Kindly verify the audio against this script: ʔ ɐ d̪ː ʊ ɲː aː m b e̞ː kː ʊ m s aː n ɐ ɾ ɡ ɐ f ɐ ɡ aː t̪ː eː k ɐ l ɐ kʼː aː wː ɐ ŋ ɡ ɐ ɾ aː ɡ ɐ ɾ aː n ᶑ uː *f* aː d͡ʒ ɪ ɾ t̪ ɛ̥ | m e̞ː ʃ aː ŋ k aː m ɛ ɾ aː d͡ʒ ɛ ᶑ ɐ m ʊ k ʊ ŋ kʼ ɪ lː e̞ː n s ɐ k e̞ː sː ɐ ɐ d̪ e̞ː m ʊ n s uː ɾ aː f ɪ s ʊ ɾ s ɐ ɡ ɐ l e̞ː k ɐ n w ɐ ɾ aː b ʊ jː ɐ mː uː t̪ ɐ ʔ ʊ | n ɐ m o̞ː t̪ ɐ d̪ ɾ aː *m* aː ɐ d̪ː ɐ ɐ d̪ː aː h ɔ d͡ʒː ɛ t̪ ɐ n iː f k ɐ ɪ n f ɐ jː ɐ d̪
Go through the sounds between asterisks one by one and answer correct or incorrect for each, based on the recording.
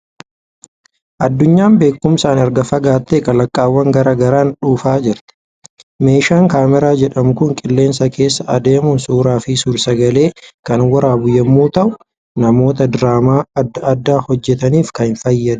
correct, correct

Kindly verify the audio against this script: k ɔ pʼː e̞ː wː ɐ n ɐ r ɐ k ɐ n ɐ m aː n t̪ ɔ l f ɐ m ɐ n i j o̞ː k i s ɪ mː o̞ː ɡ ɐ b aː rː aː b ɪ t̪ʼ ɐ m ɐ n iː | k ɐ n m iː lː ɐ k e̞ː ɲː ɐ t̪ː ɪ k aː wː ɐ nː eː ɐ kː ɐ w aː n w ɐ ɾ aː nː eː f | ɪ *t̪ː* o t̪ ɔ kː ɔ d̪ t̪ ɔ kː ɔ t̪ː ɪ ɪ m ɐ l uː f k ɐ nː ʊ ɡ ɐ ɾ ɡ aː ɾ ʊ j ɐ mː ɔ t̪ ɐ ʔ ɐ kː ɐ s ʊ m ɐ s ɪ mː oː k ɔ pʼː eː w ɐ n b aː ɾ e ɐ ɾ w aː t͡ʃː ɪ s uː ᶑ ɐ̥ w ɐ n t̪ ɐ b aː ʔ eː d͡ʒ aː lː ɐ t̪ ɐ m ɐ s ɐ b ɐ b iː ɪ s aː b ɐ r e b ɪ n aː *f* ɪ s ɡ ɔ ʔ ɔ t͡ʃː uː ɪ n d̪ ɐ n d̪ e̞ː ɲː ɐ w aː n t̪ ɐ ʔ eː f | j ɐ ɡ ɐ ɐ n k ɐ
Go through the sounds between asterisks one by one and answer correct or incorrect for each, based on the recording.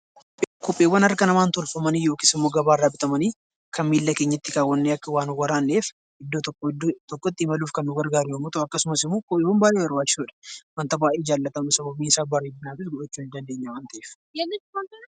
incorrect, correct

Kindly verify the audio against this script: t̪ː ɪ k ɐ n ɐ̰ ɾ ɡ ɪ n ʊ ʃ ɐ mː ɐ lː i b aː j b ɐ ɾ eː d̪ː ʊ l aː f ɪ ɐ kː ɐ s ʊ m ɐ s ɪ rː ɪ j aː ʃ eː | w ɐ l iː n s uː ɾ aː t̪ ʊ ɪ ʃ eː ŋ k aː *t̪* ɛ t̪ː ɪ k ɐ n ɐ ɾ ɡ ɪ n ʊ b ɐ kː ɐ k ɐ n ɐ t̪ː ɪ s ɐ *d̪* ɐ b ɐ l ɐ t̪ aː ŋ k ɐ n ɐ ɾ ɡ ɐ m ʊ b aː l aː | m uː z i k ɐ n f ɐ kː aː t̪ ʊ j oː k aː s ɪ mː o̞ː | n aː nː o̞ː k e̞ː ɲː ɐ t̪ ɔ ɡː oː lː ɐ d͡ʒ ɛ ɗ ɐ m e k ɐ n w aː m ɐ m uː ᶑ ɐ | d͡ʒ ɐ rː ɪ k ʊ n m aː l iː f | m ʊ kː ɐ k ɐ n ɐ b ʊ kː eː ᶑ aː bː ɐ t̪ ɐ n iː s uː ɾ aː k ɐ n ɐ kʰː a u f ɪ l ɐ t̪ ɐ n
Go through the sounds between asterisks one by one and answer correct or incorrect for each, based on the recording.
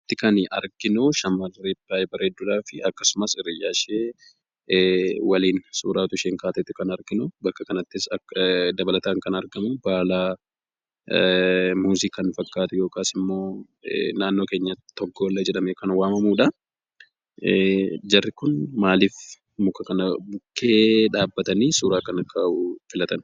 correct, correct

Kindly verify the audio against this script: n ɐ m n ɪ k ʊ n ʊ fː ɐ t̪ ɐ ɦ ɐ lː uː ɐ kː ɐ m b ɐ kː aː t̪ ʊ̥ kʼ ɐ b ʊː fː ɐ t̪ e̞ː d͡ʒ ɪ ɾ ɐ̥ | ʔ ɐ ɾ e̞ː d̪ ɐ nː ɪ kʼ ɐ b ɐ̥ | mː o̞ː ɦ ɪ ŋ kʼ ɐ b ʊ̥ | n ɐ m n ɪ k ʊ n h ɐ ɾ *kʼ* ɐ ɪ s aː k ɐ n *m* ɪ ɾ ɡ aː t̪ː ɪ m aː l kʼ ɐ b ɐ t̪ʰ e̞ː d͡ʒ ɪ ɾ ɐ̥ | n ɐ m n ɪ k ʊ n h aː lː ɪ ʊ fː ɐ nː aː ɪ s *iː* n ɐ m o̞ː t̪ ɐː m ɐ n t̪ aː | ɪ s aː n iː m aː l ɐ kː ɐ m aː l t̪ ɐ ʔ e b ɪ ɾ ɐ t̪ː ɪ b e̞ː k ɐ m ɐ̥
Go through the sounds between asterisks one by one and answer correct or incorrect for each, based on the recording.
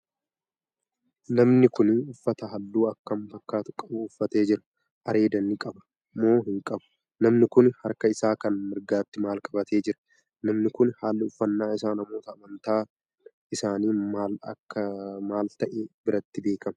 incorrect, correct, incorrect

